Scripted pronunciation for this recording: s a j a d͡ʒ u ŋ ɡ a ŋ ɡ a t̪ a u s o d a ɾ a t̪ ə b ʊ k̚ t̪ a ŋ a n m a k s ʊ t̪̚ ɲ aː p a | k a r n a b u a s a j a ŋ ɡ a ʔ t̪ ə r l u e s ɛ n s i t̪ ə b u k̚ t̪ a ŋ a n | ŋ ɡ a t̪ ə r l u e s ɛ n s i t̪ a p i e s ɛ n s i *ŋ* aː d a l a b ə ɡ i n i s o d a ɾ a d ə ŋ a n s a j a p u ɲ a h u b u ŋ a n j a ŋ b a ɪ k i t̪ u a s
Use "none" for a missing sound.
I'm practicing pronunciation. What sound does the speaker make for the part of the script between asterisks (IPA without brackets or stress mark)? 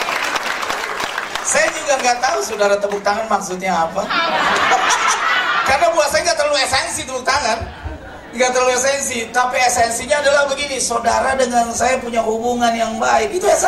ɲ